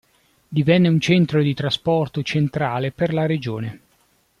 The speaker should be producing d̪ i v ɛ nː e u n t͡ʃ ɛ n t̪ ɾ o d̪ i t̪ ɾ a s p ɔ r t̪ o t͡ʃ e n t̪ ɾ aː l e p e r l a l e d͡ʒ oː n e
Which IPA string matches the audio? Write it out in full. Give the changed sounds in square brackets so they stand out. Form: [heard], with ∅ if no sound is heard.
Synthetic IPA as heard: d̪ i v ɛ nː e u n t͡ʃ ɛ n t̪ ɾ o d̪ i t̪ ɾ a s p ɔ r t̪ o t͡ʃ e n t̪ ɾ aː l e p e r l a [ɾ] e d͡ʒ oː n e